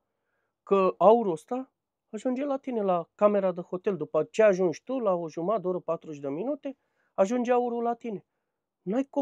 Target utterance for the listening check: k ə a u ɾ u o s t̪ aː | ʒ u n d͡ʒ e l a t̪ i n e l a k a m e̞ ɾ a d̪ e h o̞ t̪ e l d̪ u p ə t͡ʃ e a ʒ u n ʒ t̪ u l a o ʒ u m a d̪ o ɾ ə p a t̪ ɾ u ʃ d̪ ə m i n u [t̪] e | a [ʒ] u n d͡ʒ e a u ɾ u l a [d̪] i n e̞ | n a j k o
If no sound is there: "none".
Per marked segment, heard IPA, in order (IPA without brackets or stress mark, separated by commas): t̪, ʒ, t̪